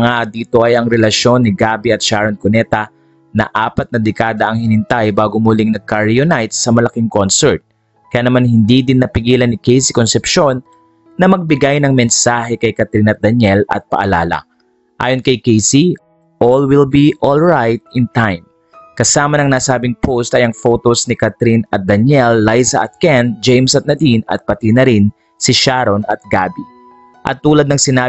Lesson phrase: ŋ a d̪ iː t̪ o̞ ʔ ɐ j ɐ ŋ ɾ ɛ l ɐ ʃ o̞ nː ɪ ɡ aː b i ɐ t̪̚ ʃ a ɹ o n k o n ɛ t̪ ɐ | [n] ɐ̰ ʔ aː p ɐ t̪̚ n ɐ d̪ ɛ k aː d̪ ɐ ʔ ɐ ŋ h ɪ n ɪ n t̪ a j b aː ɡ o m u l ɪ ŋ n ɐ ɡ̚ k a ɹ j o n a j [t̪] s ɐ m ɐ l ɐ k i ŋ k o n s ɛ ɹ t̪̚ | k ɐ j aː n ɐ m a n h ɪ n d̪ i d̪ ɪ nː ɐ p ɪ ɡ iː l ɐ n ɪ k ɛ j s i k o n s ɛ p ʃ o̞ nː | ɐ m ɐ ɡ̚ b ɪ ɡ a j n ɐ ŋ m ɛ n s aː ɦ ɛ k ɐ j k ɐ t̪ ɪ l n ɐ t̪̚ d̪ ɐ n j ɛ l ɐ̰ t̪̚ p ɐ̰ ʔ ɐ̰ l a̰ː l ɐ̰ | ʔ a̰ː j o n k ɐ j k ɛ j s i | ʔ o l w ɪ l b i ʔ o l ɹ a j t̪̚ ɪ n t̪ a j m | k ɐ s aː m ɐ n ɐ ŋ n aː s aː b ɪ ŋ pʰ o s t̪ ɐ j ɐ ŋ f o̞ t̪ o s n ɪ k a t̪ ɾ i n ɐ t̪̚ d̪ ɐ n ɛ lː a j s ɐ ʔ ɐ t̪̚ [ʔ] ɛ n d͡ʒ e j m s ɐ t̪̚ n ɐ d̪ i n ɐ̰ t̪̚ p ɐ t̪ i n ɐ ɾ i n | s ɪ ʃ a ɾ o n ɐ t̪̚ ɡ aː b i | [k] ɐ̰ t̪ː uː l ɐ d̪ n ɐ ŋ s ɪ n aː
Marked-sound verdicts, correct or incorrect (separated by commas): correct, correct, incorrect, incorrect